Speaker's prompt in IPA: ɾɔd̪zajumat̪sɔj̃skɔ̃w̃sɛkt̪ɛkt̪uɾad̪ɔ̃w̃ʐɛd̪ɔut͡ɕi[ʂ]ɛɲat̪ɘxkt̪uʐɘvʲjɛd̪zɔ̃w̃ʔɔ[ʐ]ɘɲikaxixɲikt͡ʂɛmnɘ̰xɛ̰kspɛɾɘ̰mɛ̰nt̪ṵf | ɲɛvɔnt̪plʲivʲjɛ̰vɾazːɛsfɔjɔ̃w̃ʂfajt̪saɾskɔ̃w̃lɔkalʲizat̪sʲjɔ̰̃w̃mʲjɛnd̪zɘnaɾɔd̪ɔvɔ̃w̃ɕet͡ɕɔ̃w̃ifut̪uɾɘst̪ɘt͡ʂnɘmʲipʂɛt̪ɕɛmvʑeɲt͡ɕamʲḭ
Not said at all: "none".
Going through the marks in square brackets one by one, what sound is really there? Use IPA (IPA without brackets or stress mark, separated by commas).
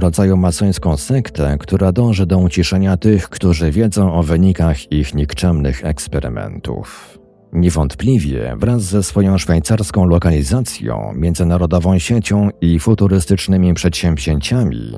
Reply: ʂ, v